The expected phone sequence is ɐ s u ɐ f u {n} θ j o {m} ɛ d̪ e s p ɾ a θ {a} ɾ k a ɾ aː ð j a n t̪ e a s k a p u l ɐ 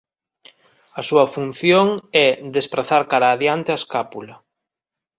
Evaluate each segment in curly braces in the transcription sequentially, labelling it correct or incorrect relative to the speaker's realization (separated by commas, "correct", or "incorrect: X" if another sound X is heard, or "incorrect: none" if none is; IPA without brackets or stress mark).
correct, incorrect: ŋ, correct